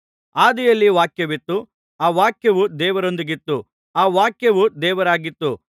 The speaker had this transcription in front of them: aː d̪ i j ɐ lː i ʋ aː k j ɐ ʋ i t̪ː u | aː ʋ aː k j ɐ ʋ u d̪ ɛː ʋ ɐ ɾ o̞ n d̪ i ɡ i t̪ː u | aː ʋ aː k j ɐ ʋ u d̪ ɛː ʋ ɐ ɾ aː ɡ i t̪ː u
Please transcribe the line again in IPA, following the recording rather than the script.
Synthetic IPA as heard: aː d̪ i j ɐ lː i ʋ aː k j ɐ ʋ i t̪ː u | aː ʋ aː k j ɐ ʋ u d̪ ɛː ʋ ɐ ɾ o̞ n d̪ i ɡ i t̪ː u | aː ʋ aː k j ɐ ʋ u d̪ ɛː ʋ ɐ ɾ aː ɡ i t̪ː u